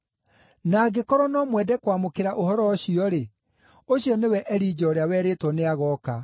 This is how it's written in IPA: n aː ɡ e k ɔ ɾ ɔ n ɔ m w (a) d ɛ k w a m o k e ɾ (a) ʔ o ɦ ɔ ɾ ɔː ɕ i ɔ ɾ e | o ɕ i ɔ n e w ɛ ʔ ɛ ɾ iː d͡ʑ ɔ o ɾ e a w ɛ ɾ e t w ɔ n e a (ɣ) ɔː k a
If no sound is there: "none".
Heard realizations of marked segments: ɛ, a, ɣ

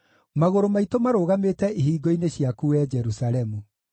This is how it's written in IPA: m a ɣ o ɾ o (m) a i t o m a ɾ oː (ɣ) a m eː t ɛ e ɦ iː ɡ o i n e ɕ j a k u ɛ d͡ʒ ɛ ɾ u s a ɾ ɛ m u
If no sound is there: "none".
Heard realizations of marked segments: m, ɣ

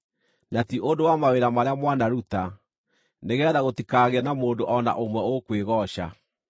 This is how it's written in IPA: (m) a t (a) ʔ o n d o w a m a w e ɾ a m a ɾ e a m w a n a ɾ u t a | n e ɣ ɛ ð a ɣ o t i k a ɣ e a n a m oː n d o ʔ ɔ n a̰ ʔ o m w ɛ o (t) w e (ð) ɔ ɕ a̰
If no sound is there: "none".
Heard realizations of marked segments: n, i, k, ɣ

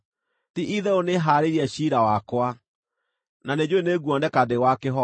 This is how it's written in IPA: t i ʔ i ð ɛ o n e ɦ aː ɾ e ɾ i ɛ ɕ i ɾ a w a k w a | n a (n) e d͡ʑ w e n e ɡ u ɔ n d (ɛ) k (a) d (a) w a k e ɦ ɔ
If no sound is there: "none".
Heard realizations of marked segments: n, ɛ, a, e

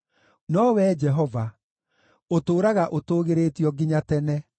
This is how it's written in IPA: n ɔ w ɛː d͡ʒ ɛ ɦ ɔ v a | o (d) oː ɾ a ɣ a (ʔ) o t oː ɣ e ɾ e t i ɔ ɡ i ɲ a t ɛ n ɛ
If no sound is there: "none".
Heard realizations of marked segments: t, ʔ

